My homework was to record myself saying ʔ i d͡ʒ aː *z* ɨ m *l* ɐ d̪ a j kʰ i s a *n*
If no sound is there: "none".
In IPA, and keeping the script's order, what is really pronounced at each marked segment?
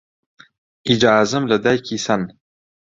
z, l, n

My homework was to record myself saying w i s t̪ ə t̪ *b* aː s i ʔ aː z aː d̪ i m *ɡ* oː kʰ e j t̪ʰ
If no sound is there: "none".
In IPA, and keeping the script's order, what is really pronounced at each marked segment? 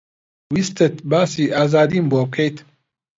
b, b

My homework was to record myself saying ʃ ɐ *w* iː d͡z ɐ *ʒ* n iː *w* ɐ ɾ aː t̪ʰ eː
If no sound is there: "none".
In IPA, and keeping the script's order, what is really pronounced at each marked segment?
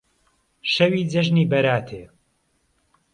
w, ʒ, b

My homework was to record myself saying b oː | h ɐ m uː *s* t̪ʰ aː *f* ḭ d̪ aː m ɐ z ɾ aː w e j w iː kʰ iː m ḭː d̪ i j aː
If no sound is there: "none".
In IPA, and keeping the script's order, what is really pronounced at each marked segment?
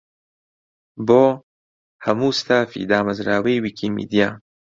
s, f

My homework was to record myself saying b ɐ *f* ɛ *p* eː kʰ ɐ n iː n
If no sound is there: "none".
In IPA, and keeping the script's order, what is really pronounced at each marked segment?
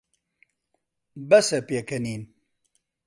s, p

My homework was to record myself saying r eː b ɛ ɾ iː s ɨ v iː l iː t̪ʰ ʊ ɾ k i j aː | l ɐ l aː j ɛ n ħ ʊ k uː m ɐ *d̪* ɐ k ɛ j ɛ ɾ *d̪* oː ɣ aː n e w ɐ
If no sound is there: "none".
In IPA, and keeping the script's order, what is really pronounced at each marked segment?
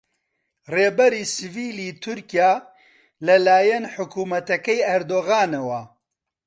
t̪, d̪

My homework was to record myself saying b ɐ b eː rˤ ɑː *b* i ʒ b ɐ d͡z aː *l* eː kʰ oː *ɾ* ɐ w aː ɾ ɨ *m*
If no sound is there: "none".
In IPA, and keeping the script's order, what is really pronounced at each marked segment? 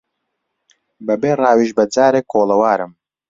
w, ɾ, l, m

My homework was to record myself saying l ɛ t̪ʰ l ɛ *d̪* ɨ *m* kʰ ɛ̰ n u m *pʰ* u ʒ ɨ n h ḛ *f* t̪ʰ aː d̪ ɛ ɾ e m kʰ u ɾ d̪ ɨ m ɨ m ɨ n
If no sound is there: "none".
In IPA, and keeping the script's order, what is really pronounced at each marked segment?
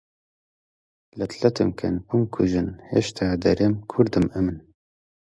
t̪, m, kʰ, ʃ

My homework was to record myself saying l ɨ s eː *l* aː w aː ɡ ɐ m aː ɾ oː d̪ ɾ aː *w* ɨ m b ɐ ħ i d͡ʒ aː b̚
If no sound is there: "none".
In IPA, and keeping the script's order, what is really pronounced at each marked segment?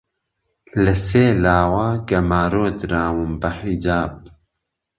l, w

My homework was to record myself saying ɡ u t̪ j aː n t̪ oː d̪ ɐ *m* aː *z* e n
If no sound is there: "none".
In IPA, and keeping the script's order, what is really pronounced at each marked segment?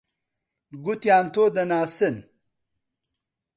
n, s

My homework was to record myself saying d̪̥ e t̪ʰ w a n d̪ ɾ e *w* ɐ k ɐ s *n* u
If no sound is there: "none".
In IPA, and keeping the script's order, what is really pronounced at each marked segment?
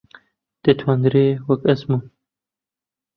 w, m

